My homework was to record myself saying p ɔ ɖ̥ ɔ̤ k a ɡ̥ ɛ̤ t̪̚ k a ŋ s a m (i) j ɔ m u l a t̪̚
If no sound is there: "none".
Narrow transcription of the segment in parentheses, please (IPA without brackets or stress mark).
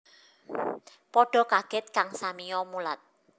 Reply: i